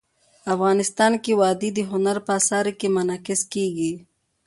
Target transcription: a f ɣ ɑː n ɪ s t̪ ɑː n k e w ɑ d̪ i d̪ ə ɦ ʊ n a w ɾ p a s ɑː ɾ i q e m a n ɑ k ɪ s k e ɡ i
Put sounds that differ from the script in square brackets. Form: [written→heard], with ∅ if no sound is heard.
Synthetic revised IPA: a f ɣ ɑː n ɪ s t̪ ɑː n k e w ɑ d̪ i d̪ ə ɦ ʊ n a [w→∅] ɾ p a s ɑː ɾ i [q→k] e m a n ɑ k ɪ s k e ɡ i